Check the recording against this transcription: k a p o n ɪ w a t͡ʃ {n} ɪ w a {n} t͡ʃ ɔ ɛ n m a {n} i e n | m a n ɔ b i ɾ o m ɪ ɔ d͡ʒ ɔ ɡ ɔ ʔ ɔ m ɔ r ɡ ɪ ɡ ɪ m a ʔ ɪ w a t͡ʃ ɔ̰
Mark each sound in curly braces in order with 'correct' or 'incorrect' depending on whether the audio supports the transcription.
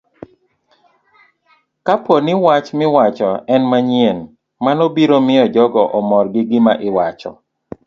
incorrect: m, incorrect: none, incorrect: ɲ

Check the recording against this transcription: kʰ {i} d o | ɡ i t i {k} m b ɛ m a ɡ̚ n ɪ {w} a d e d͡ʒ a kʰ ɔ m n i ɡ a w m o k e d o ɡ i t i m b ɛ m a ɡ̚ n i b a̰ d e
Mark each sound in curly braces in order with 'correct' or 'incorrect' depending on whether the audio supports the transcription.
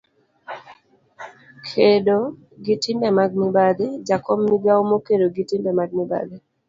incorrect: e, incorrect: none, incorrect: b

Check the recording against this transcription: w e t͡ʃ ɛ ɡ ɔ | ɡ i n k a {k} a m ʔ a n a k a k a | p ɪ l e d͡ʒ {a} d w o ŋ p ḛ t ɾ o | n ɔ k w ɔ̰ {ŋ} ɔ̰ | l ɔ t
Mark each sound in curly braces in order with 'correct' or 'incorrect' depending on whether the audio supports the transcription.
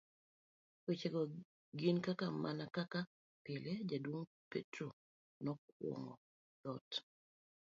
correct, correct, correct

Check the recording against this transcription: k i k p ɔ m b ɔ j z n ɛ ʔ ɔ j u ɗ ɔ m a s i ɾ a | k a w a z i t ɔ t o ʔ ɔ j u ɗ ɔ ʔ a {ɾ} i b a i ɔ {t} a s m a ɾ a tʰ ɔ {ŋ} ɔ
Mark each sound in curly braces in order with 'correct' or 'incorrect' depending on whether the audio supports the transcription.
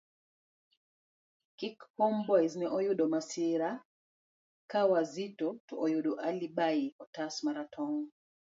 incorrect: l, correct, correct

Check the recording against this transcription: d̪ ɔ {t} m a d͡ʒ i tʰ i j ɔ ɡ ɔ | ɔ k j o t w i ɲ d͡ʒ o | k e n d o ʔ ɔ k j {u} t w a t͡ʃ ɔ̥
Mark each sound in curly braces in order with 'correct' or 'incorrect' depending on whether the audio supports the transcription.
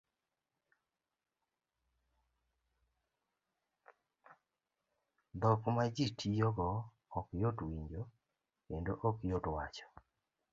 incorrect: k, incorrect: o

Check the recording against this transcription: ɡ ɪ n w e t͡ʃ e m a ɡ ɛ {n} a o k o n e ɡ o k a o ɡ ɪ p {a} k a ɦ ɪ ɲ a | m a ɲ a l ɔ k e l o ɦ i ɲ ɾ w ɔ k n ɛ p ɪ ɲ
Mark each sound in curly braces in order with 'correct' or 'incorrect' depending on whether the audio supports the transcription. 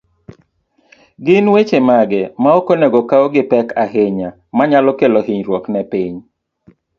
incorrect: m, incorrect: ɛ

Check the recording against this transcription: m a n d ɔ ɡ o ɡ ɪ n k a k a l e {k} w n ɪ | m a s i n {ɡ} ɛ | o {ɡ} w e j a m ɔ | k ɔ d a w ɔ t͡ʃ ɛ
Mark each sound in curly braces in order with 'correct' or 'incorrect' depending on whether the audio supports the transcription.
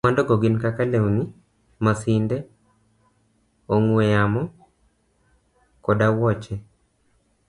incorrect: none, incorrect: d, incorrect: ŋ

